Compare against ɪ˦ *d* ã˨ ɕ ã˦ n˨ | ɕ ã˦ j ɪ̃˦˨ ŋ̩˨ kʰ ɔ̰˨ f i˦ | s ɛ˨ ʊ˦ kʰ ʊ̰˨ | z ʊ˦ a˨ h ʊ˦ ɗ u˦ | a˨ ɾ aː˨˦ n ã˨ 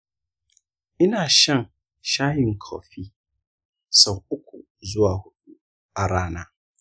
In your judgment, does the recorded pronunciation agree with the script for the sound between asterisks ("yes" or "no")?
no